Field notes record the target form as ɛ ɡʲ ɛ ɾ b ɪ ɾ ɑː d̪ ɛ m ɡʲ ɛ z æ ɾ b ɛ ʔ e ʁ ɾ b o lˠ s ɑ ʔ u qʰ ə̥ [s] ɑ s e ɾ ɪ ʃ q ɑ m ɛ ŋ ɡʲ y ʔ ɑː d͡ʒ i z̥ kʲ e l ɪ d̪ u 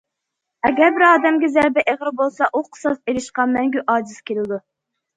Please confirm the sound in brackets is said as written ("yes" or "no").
yes